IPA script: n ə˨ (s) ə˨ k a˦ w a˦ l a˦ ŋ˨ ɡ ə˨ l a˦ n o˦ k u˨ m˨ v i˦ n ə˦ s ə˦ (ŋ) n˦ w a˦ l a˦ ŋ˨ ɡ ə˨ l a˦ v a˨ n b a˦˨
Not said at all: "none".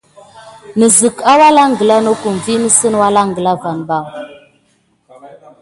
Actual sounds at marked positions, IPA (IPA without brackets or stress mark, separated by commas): z, none